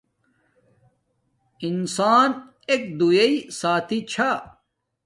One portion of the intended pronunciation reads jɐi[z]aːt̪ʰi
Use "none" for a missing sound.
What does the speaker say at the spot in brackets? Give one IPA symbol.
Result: s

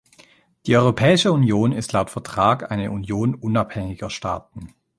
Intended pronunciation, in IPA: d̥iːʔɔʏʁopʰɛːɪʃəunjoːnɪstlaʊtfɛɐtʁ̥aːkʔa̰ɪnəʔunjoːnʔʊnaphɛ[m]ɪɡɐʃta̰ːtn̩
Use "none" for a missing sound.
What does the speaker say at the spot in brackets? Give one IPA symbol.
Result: ŋ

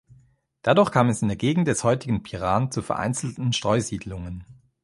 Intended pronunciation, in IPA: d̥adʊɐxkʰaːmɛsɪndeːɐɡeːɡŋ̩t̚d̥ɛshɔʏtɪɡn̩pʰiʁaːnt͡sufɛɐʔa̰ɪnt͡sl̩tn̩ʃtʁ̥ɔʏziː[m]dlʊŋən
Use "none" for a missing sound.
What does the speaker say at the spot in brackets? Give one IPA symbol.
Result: none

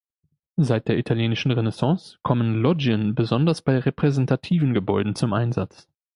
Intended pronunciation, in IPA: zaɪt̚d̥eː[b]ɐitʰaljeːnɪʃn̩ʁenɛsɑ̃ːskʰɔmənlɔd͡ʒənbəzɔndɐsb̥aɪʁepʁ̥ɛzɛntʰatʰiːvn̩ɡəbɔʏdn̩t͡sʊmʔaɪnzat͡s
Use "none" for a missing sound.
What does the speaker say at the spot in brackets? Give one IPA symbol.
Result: none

